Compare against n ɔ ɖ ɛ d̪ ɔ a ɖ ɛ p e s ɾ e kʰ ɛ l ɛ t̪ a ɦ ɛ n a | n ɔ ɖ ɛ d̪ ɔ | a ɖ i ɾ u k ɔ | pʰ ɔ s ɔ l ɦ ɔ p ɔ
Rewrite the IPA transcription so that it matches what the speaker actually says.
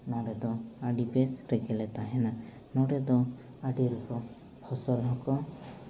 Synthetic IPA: n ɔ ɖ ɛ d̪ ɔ a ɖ i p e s ɾ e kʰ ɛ l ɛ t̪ a ɦ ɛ n a | n ɔ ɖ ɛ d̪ ɔ | a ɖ i ɾ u k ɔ | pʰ ɔ s ɔ l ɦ ɔ k ɔ